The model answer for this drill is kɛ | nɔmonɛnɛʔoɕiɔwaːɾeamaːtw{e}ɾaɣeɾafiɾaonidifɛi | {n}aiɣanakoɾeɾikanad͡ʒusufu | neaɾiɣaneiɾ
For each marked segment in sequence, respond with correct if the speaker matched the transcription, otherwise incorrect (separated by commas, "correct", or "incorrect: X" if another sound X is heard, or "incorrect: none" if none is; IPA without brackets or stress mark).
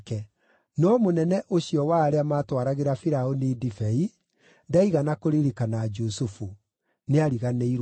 incorrect: a, incorrect: d